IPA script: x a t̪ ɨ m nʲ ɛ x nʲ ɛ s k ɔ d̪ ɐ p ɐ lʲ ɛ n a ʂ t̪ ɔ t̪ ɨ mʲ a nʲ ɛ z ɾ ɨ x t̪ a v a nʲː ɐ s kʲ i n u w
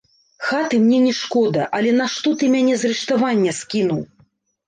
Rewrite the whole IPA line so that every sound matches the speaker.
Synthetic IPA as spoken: x a t̪ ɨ m nʲ ɛ nʲ ɛ ʂ k ɔ d̪ ɐ ʔ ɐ lʲ ɛ n a ʂ t̪ ɔ t̪ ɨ mʲ a nʲ ɛ z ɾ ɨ ʂ t̪ a v a nʲː ɐ s kʲ i n u w